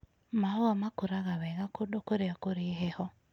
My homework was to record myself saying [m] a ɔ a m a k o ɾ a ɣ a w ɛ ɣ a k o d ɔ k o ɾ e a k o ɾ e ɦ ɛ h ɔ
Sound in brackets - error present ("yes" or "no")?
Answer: no